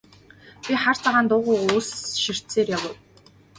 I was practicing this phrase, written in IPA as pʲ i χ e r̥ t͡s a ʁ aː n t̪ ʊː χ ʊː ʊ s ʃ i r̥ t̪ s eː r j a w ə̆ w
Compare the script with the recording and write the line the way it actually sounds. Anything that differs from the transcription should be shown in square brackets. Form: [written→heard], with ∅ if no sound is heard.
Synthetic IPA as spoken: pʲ i χ [e→a] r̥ t͡s a ʁ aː n t̪ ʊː [χ→ʁ] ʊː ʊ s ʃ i r̥ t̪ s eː r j a w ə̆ w